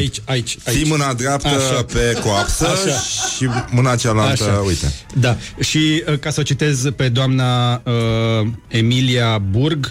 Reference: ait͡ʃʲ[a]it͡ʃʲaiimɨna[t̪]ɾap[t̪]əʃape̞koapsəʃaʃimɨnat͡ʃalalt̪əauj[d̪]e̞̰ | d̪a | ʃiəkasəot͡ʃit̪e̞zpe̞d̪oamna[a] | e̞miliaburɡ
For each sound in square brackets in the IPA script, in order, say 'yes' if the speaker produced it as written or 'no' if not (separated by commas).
yes, no, yes, no, no